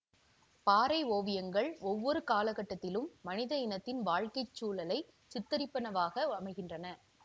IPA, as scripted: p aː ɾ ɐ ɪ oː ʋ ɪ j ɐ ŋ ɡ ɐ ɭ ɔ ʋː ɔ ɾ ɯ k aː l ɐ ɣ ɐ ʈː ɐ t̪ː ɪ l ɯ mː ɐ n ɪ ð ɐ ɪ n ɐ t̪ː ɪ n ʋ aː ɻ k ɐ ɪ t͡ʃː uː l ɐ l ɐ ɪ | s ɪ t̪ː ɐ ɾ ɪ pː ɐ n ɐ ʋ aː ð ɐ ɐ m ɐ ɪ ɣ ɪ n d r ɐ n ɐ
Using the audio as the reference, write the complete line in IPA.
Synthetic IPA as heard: p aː ɾ ɐ ɪ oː ʋ ɪ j ɐ ŋ ɡ ɐ ɭ ɔ ʋː ɔ ɾ ɯ k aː l ɐ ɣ ɐ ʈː ɐ t̪ː ɪ l ɯ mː ɐ n ɪ ð ɐ ɪ n ɐ t̪ː ɪ n ʋ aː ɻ k ɐ ɪ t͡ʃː uː l ɐ l ɐ ɪ | s ɪ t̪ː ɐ ɾ ɪ pː ɐ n ɐ ʋ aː ɣ ɐ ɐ m ɐ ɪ ɣ ɪ n d r ɐ n ɐ